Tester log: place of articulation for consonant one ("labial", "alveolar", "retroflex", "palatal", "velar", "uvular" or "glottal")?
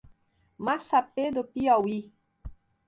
labial